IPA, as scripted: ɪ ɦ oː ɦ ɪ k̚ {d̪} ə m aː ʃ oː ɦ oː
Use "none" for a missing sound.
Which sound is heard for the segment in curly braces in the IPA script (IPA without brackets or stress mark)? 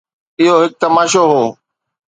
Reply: t̪